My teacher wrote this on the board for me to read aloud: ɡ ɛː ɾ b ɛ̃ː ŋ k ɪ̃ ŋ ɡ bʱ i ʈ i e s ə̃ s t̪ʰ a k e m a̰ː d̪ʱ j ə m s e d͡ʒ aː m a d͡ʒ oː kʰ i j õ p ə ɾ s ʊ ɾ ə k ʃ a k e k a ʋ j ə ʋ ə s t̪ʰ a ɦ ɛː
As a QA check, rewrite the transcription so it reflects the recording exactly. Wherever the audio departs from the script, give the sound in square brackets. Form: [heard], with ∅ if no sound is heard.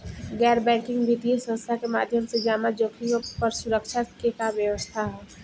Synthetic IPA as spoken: ɡ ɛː ɾ b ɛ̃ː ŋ k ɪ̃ ŋ ɡ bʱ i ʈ i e s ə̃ s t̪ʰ a k e m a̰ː d̪ʱ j ə m s e d͡ʒ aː m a d͡ʒ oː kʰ i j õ p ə ɾ s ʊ ɾ ə k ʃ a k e k a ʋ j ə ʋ ə s t̪ʰ a ɦ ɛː